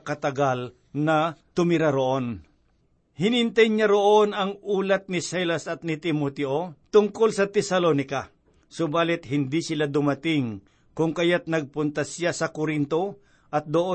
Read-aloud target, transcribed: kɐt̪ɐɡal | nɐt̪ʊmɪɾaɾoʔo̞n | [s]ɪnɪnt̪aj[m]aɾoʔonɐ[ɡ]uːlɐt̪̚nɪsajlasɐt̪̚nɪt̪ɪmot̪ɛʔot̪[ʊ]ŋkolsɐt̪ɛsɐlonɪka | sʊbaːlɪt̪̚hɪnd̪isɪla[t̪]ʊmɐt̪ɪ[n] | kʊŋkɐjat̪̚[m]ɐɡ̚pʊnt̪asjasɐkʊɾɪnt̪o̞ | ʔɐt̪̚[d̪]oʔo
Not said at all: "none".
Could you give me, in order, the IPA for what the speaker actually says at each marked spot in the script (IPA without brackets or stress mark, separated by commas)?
h, ɲ, ŋ, ʊ, d̪, ŋ, n, d̪